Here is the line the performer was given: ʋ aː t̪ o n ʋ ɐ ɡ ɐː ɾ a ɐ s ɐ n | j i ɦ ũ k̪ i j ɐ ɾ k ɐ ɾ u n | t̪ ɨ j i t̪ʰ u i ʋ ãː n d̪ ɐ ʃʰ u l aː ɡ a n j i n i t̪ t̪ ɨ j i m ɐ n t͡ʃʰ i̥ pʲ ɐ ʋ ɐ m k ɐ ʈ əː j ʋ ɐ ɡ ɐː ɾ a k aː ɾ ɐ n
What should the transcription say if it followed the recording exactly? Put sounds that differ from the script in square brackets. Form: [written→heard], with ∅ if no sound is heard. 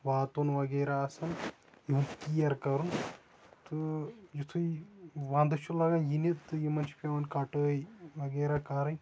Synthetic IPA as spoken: ʋ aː t̪ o n ʋ ɐ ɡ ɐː ɾ a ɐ s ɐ n | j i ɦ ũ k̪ i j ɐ ɾ k ɐ ɾ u n | t̪ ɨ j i t̪ʰ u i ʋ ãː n d̪ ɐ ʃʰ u l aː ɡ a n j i n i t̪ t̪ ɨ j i m ɐ n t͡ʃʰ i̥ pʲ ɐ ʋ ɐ [m→n] k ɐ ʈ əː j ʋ ɐ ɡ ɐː ɾ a k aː ɾ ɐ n

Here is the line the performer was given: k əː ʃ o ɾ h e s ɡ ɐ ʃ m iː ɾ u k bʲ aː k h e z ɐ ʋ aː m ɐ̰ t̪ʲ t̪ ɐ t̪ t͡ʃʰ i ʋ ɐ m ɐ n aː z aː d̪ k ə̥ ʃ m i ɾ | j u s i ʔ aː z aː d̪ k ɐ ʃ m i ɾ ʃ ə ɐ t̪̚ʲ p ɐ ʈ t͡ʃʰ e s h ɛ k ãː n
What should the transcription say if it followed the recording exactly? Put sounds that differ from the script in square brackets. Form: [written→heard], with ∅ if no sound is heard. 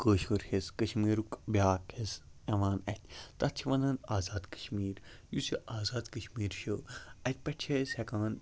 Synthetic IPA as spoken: k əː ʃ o ɾ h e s [ɡ→k] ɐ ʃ m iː ɾ u k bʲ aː k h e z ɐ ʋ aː [m→n] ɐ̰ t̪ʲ t̪ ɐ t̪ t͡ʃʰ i ʋ ɐ [m→n] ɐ n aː z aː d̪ k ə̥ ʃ m [i→iː] ɾ | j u s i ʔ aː z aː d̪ k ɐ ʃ m [i→iː] ɾ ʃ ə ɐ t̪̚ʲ p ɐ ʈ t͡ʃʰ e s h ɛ k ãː n

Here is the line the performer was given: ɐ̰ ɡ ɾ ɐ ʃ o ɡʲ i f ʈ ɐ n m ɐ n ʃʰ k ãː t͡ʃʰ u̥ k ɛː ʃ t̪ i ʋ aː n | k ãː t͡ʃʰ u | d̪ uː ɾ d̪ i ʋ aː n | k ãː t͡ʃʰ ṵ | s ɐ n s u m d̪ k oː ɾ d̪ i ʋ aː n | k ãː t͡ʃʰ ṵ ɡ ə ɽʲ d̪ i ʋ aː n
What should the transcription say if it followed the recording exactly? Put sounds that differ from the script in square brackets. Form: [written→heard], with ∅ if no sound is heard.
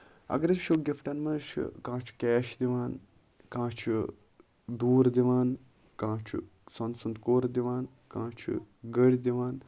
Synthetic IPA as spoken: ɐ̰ ɡ ɾ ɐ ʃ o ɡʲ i f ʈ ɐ n m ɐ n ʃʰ k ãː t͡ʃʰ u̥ k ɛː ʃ [t̪→d̪] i ʋ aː n | k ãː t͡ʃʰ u | d̪ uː ɾ d̪ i ʋ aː n | k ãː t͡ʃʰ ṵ | s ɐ n s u [m→n] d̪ k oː ɾ d̪ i ʋ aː n | k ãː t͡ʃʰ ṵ ɡ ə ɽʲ d̪ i ʋ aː n

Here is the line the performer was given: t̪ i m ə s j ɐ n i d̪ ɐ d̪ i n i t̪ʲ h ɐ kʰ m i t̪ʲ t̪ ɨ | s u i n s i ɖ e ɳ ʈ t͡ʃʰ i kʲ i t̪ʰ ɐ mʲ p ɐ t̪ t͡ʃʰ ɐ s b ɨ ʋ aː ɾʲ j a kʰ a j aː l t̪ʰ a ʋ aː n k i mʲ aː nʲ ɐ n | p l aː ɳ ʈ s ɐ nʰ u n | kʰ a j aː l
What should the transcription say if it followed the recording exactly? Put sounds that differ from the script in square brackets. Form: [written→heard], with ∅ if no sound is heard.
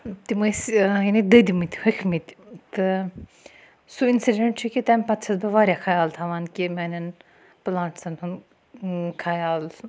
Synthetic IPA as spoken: t̪ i m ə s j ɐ n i d̪ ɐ d̪ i [n→m] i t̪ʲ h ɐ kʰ m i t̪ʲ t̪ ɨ | s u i n s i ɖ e ɳ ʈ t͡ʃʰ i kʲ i [t̪ʰ→t̪] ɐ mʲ p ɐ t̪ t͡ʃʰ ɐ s b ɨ ʋ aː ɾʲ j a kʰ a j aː l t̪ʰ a ʋ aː n k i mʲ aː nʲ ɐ n | p l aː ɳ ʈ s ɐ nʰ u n | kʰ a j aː l

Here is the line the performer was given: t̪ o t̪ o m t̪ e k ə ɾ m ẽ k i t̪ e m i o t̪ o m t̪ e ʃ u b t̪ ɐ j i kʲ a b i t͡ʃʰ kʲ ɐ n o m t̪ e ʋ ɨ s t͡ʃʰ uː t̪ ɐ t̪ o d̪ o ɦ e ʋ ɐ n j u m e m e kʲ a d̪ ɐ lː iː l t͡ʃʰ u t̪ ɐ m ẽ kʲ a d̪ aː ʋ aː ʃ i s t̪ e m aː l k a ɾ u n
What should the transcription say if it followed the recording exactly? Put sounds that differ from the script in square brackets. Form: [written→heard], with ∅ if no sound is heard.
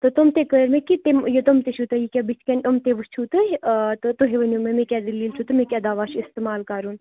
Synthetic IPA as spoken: t̪ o t̪ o m t̪ e k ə ɾ m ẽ k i t̪ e m [i→j] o t̪ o m t̪ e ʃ u [b→∅] t̪ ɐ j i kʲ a b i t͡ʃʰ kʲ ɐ n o m t̪ e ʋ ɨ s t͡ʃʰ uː t̪ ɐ t̪ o [d̪→t̪] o ɦ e ʋ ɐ n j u m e m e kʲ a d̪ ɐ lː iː l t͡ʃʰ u t̪ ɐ m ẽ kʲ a d̪ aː ʋ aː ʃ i s t̪ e m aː l k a ɾ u n

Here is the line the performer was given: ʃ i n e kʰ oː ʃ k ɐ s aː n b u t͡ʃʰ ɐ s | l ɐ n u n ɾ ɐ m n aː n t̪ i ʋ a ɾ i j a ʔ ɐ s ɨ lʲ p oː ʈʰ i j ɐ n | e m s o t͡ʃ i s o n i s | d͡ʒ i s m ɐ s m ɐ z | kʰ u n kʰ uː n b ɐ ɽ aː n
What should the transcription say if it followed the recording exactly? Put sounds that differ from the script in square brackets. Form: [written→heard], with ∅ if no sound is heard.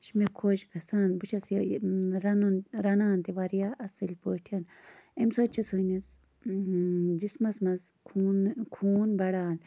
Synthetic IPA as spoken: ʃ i [n→m] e kʰ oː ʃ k ɐ s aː n b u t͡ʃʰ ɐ s | [l→ɾ] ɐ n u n ɾ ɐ [m→∅] n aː n t̪ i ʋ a ɾ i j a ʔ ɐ s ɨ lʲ p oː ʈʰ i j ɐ n | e m s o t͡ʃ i s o n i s | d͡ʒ i s m ɐ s m ɐ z | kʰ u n kʰ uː n b ɐ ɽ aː n

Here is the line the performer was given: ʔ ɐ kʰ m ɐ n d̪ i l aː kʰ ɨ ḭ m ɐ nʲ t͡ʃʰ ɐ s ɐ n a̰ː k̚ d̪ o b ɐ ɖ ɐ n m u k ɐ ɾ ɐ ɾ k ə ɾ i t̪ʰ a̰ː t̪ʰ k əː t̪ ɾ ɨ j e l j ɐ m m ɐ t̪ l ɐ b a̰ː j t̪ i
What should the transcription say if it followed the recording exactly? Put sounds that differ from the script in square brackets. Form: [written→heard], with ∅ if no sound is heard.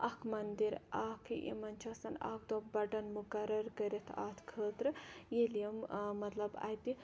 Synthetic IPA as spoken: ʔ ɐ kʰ m ɐ n d̪ i [l→ɾ] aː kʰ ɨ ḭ m ɐ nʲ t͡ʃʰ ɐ s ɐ n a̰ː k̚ d̪ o b ɐ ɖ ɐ n m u k ɐ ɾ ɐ ɾ k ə ɾ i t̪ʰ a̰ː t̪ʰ [k→kʰ] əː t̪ ɾ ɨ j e l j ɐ m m ɐ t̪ l ɐ b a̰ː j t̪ i

